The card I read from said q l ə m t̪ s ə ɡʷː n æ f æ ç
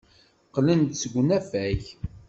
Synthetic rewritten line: q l ə n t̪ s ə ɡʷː n æ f æ ç